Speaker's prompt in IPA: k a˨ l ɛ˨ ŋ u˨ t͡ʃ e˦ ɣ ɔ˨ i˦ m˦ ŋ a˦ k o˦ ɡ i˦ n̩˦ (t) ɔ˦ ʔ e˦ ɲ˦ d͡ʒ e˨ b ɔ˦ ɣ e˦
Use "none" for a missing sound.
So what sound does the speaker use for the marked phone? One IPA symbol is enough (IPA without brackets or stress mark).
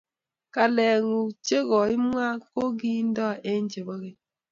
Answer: d